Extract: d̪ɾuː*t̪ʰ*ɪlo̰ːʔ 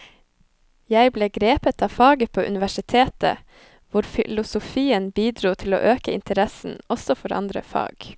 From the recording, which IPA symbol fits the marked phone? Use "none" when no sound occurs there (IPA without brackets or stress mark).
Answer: t̪ʰ